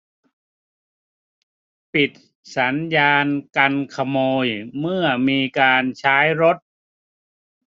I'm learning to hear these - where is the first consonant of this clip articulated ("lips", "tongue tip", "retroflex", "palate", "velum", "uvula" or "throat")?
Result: lips